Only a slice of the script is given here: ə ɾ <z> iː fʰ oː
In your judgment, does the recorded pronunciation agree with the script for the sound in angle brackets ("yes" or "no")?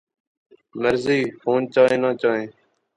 yes